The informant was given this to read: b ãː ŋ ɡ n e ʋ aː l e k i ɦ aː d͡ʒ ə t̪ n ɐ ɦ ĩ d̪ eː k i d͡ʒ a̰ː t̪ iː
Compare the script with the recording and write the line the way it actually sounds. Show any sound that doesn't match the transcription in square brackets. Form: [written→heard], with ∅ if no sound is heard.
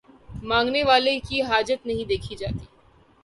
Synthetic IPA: [b→m] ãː ŋ ɡ n e ʋ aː l e k i ɦ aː d͡ʒ ə t̪ n ɐ ɦ ĩ d̪ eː [k→kʰ] i d͡ʒ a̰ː t̪ iː